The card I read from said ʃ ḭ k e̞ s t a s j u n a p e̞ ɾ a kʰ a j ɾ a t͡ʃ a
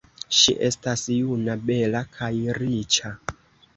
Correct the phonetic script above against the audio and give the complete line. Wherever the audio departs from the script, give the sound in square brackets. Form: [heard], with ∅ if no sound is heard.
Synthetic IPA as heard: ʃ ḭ [ʔ] e̞ s t a s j u n a [b] e̞ [l] a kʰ a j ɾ [i] t͡ʃ a